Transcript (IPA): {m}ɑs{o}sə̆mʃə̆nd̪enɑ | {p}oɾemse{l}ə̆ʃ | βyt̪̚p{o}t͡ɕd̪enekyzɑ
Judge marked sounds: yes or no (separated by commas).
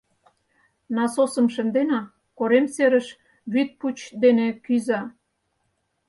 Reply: no, yes, no, no, no